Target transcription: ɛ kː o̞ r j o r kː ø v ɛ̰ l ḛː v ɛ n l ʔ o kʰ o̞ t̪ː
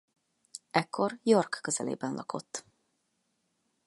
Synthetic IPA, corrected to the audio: ɛ kː o̞ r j o r kː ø z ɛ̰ l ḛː b ɛ n l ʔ ɒ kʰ o̞ t̪ː